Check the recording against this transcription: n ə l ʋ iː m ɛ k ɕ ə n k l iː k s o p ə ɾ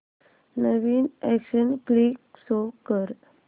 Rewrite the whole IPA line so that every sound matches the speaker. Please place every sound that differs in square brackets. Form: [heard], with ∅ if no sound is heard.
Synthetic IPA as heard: n ə [∅] ʋ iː [n] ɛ k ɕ ə n k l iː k s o [k] ə ɾ